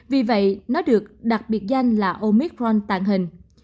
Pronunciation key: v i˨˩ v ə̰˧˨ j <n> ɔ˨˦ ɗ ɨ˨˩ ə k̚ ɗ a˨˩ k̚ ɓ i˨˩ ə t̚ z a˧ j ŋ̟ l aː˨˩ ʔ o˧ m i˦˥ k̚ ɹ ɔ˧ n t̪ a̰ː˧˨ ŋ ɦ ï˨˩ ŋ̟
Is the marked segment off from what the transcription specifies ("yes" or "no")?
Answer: no